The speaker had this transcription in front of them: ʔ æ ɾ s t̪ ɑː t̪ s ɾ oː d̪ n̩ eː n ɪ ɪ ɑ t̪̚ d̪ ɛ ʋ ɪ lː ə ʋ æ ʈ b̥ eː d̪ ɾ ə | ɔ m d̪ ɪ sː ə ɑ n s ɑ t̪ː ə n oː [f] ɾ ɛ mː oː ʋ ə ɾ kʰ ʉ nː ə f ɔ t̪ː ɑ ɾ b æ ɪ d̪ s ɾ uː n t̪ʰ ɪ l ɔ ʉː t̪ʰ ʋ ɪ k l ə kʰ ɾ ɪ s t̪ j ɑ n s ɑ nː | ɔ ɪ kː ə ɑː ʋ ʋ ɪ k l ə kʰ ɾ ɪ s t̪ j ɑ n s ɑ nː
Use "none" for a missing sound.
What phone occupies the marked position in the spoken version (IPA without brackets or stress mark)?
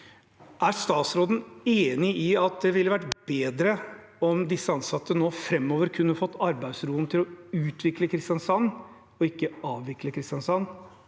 f